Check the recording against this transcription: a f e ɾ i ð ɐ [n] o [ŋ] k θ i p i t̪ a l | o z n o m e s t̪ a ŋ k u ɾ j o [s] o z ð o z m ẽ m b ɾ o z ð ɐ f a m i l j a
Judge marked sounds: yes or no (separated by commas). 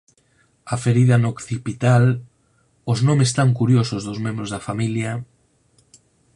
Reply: yes, no, yes